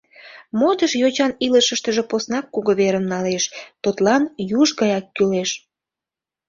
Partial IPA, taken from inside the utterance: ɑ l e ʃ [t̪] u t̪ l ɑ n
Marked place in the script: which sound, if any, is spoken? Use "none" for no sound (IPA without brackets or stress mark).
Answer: t̪